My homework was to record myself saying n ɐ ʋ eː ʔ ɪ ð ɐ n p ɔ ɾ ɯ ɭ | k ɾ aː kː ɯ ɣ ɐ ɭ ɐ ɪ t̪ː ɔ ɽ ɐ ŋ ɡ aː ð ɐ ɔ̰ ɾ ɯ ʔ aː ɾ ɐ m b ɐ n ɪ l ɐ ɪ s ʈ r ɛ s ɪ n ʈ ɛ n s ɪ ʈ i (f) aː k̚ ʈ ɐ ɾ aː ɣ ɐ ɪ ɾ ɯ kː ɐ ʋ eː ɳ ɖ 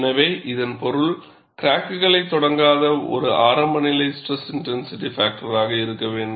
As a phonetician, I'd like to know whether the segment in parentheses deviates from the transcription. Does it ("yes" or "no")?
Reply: no